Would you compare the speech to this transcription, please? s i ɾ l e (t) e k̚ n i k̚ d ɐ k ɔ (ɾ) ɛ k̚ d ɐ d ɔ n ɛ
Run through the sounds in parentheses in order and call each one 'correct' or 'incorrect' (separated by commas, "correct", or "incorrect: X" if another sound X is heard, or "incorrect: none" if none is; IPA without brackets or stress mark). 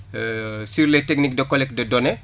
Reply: correct, incorrect: l